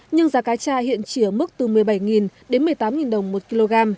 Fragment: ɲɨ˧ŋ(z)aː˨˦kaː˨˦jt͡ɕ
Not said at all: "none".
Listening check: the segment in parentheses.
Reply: z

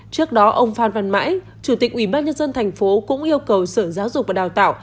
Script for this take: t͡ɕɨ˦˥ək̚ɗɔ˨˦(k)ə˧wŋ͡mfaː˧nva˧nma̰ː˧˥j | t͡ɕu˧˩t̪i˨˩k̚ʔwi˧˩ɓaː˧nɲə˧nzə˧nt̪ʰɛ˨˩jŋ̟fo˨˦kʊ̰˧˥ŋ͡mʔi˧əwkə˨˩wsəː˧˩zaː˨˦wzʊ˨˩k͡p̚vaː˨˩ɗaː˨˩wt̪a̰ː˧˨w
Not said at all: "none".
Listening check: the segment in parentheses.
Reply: ʔ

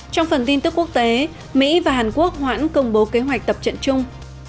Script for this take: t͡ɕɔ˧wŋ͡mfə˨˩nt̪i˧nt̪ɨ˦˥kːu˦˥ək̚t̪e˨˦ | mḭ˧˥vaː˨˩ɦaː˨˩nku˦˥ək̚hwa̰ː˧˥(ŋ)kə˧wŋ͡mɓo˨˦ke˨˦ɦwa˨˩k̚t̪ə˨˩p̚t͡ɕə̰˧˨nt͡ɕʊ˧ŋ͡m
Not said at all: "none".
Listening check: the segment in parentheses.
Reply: n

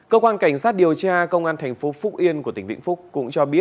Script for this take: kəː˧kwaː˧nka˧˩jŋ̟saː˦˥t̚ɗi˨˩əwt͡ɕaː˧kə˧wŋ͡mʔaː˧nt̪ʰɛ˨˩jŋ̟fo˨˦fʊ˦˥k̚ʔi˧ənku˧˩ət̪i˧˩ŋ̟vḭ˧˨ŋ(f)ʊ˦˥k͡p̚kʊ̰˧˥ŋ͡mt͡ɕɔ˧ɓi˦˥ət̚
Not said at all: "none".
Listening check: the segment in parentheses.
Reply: f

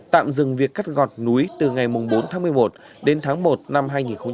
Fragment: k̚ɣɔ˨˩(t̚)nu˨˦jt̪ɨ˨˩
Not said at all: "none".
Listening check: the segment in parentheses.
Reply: t̚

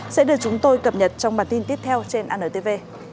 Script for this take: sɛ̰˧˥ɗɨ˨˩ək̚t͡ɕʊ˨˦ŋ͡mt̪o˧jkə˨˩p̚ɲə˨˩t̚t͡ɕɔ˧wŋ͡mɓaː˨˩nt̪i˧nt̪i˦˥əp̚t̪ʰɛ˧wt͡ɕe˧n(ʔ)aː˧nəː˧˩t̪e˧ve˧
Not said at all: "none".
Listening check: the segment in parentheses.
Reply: ʔ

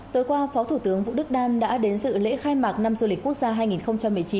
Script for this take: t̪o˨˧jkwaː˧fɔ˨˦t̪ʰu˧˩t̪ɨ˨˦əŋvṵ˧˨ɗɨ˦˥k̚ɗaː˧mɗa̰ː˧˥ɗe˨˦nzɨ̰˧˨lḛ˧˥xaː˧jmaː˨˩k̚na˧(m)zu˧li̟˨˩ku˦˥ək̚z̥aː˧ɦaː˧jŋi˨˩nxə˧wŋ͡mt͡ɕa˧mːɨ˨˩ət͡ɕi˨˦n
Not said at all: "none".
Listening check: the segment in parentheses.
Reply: m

